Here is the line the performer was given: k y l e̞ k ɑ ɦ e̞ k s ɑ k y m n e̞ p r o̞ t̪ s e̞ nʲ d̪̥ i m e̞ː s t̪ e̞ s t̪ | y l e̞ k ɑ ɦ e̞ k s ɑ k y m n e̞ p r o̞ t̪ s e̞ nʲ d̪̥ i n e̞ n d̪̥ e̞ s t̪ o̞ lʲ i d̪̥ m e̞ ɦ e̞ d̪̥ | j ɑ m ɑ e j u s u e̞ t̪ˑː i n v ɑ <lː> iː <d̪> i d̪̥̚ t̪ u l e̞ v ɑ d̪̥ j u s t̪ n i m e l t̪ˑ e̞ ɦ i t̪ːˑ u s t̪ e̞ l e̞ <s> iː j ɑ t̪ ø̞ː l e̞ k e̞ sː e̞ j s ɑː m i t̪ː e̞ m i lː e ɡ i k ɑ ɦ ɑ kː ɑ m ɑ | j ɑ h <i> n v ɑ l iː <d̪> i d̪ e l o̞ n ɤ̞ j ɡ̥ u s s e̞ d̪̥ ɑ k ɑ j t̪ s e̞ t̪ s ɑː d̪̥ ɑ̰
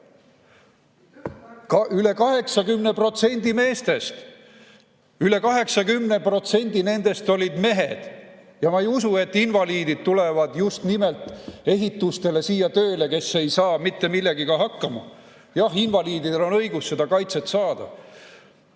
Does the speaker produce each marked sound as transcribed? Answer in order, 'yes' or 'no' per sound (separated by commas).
no, yes, yes, yes, yes